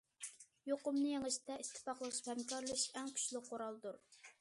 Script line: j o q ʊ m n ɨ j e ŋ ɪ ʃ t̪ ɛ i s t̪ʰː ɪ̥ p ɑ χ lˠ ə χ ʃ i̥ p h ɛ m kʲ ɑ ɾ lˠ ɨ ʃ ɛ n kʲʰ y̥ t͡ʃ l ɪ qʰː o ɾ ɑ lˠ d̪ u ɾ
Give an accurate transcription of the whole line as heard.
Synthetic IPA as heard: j o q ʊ m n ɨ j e ŋ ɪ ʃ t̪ ɛ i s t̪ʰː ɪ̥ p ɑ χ lˠ ə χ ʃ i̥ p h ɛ m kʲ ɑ ɾ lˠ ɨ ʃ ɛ ŋ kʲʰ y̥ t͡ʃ l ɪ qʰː o ɾ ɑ lˠ d̪ u ɾ